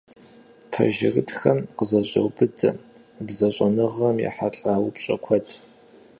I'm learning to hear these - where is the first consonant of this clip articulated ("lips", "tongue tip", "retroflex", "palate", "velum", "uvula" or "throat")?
lips